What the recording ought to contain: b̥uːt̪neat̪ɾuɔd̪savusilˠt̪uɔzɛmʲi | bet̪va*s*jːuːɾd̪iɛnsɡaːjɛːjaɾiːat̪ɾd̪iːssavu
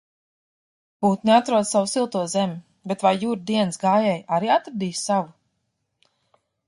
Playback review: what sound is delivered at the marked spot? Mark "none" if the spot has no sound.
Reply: none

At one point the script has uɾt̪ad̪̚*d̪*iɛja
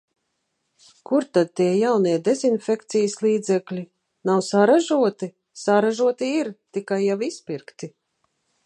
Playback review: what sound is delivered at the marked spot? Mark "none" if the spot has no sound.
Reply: t̪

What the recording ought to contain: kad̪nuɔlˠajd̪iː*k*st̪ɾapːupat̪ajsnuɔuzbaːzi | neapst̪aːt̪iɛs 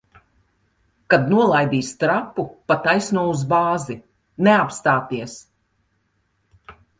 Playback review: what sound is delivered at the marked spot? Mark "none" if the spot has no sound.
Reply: none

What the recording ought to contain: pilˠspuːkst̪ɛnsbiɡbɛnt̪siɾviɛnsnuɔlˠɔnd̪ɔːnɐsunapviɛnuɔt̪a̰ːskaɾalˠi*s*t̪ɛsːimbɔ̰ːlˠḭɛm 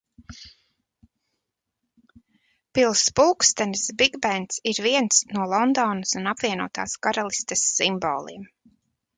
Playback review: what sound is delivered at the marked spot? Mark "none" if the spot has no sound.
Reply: s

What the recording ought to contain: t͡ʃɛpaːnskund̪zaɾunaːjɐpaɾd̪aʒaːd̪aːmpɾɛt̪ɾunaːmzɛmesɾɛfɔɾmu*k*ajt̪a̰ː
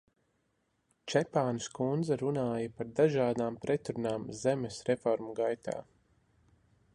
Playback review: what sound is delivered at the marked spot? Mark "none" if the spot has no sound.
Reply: ɡ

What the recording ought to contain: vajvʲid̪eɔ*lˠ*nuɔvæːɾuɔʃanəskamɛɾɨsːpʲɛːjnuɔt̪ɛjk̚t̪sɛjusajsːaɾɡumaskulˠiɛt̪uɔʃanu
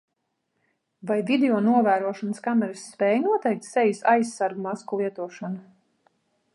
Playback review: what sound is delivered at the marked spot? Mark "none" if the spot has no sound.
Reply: none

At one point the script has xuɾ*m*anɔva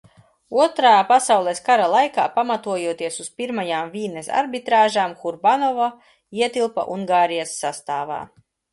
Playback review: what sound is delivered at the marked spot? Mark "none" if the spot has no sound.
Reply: b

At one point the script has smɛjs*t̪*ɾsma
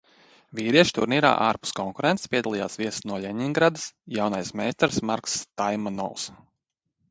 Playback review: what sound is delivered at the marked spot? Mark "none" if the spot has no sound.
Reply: t̪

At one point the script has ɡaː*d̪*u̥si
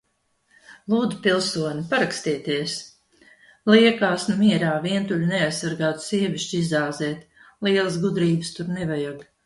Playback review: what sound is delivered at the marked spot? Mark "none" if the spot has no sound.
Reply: t̪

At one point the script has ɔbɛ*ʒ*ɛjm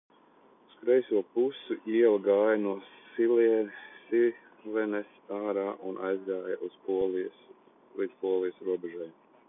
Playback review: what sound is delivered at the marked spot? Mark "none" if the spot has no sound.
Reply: ʒ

